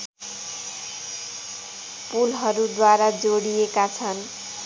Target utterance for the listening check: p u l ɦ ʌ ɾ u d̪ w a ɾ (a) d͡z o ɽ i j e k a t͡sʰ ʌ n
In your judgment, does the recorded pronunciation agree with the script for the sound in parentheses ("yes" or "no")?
yes